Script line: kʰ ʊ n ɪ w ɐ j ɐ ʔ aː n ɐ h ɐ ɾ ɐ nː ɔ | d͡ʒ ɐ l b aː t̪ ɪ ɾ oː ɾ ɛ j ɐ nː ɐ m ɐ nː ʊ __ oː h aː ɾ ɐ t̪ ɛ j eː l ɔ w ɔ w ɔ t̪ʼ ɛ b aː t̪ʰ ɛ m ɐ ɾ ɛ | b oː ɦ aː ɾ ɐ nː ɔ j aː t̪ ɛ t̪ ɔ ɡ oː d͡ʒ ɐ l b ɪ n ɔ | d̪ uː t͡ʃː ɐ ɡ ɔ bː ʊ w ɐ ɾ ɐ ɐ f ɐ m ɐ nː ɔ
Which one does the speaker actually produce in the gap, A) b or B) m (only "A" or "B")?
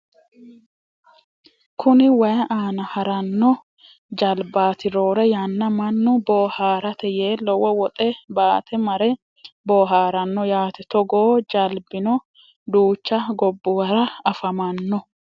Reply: A